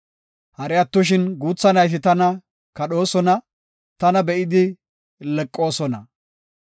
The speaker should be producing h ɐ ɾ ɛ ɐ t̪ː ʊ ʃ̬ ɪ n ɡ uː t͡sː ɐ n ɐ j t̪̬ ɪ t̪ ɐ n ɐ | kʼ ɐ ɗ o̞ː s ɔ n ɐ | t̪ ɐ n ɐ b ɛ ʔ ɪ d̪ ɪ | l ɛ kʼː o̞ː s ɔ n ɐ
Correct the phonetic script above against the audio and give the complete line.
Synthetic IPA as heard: h ɐ ɾ ɛ ɐ t̪ː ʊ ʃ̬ ɪ n ɡ uː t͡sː ɐ n ɐ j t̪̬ ɪ t̪ ɐ n ɐ | k ɐ ɗ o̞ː s ɔ n ɐ | t̪ ɐ n ɐ b ɛ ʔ ɪ d̪ ɪ | l ɛ kʼː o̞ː s ɔ n ɐ